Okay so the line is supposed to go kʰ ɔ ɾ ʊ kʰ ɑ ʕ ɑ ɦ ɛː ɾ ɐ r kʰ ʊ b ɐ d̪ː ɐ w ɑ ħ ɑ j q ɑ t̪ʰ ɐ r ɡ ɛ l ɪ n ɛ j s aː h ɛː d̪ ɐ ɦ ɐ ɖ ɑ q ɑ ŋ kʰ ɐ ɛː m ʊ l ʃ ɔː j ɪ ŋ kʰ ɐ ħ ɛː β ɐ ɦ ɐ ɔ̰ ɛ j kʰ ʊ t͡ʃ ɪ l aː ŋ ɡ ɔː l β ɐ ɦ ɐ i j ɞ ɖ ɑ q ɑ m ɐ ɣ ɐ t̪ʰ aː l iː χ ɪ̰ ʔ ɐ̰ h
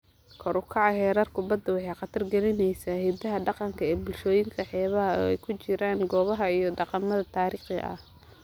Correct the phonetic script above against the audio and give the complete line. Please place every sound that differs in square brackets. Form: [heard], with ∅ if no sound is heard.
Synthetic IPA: kʰ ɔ ɾ ʊ kʰ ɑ ʕ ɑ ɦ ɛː ɾ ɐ r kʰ ʊ b ɐ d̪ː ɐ w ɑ ħ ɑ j q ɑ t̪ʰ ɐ r ɡ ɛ l ɪ n ɛ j s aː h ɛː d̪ ɐ ɦ ɐ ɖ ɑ q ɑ ŋ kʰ ɐ ɛː [b] ʊ l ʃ ɔː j ɪ ŋ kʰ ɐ ħ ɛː β ɐ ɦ ɐ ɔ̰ ɛ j kʰ ʊ t͡ʃ ɪ [ɾ] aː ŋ ɡ ɔː [∅] β ɐ ɦ ɐ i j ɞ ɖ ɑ q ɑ m ɐ [ð] ɐ t̪ʰ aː [ɾ] iː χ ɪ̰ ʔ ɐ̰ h